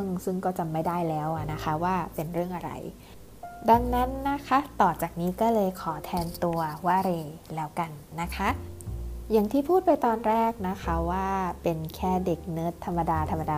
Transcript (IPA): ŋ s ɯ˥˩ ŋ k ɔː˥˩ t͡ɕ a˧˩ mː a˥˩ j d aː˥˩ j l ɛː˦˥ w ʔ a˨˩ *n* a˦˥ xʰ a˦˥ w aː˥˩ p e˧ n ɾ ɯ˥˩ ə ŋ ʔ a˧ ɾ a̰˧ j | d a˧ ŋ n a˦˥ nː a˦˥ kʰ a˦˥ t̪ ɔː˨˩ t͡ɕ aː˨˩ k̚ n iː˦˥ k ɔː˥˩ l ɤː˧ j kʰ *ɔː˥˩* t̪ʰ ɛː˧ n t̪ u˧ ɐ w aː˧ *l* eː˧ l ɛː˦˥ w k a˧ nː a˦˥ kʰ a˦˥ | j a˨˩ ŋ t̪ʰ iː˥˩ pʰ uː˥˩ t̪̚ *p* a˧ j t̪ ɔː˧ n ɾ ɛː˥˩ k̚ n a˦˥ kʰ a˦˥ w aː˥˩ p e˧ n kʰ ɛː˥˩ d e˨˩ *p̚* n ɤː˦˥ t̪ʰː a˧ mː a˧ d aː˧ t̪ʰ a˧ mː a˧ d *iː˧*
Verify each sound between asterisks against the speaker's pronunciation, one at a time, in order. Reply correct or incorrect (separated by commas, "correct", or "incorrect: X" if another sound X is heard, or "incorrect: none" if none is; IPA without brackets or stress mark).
correct, incorrect: ɔː˩˦, incorrect: ɾ, correct, incorrect: k̚, incorrect: aː˧